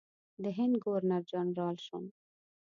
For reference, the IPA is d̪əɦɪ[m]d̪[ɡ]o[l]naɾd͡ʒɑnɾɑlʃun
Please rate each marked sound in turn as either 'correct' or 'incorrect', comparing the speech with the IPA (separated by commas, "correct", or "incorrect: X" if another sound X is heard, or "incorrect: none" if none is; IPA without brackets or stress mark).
incorrect: n, correct, incorrect: ɾ